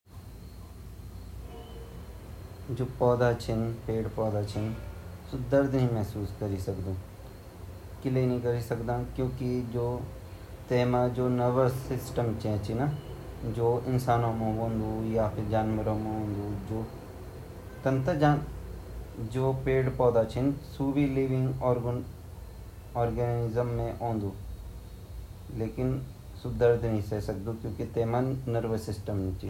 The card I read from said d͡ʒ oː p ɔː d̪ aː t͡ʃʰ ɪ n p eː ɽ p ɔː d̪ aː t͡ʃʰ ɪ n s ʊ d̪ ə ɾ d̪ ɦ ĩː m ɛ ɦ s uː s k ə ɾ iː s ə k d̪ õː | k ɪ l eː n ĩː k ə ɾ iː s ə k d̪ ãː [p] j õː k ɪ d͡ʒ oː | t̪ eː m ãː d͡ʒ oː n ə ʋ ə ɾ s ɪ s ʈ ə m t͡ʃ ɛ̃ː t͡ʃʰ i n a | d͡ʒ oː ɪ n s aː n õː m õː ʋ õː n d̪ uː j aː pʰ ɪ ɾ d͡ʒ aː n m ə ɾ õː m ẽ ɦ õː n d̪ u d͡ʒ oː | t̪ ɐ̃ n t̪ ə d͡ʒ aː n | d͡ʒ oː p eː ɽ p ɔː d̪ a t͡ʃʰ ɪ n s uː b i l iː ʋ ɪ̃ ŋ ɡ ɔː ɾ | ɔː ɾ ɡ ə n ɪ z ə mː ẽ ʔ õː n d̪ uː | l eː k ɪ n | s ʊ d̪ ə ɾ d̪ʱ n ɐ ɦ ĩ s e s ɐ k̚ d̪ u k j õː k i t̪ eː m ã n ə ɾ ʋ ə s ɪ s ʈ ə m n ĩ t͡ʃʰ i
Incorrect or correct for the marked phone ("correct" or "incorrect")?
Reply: incorrect